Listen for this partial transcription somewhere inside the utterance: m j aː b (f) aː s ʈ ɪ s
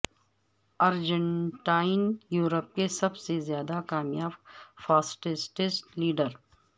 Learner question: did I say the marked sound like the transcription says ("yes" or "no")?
yes